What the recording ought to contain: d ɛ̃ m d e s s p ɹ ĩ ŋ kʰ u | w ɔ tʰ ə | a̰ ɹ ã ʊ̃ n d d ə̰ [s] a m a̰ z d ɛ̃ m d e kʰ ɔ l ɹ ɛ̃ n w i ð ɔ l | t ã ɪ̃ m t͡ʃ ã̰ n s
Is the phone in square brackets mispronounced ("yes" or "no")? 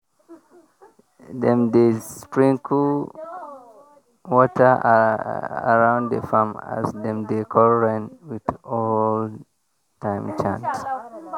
yes